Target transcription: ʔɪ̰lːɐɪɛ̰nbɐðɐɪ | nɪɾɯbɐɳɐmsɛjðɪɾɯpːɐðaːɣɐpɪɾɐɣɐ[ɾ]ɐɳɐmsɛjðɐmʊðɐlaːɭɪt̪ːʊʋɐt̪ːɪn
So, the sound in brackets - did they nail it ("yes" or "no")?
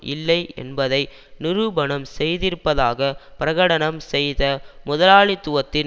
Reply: no